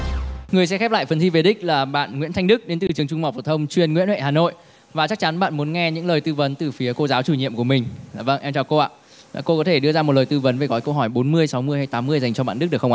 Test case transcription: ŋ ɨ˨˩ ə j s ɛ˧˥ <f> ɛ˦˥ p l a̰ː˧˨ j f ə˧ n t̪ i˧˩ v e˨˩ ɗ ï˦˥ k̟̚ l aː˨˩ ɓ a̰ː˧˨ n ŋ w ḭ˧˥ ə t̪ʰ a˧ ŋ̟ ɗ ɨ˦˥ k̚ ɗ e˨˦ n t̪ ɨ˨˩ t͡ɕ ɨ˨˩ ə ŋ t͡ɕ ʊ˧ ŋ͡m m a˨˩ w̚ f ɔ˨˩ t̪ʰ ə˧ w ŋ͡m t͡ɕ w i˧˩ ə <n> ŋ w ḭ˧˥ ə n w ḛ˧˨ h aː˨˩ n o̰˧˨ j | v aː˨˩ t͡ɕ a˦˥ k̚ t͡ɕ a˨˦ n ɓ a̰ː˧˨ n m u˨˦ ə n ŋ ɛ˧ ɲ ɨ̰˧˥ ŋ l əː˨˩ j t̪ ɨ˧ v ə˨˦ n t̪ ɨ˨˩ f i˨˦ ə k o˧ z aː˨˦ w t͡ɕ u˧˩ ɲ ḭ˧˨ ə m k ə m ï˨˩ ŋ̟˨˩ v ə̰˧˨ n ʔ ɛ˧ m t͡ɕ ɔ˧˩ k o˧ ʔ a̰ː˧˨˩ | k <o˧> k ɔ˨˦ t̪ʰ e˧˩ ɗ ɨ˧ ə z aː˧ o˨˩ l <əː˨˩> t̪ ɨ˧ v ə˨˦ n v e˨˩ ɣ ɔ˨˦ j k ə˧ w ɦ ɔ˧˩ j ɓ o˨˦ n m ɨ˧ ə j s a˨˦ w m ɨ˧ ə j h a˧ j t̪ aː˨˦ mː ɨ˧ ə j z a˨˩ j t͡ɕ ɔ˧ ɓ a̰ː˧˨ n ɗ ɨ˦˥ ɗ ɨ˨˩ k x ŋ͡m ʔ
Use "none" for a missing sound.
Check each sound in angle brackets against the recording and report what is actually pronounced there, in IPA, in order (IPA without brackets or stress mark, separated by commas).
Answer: x, n, o˧, əː˨˩